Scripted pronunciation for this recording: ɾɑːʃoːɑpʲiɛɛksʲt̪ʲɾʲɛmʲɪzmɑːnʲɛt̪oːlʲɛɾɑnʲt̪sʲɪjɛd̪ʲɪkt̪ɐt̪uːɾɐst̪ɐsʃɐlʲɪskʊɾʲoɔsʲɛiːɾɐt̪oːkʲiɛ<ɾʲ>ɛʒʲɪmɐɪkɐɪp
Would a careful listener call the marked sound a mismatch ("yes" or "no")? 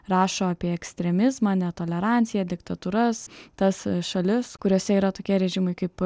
no